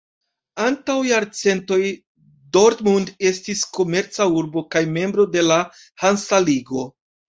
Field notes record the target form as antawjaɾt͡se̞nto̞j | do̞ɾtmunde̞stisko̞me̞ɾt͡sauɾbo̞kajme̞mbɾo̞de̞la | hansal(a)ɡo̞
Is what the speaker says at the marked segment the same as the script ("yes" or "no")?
no